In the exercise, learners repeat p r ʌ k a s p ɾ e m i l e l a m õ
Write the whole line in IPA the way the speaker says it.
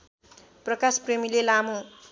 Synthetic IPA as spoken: p r ʌ k a s p r e m i l e l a m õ